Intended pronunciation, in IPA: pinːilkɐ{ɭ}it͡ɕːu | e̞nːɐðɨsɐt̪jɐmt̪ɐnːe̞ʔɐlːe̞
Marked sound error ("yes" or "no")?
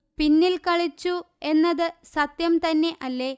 no